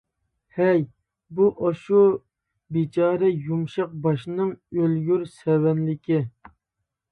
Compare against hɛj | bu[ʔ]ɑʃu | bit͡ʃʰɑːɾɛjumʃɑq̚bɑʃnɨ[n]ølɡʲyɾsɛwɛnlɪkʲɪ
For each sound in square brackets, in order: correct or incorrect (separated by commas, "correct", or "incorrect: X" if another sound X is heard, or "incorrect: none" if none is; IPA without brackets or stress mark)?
correct, incorrect: ŋ